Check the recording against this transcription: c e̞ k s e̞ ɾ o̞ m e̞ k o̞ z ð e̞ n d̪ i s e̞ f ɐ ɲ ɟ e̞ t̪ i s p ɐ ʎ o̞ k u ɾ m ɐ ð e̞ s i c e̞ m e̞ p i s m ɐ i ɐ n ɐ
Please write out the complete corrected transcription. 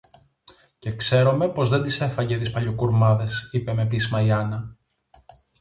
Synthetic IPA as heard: c e̞ k s e̞ ɾ o̞ m e̞ p o̞ z ð e̞ n d̪ i s e̞ f ɐ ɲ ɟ e̞ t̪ i s p ɐ ʎ o̞ k u ɾ m ɐ ð e̞ s i p e̞ m e̞ p i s m ɐ i ɐ n ɐ